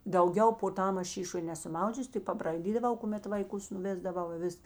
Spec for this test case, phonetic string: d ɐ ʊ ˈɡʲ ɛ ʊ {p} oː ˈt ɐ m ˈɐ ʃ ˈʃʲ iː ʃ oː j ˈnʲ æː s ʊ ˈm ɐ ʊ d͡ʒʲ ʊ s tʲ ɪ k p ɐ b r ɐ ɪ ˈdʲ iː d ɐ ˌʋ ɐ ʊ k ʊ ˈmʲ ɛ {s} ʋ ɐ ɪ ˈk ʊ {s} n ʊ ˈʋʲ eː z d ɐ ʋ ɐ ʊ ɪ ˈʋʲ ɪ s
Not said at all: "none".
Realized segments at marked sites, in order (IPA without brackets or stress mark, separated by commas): p, t, s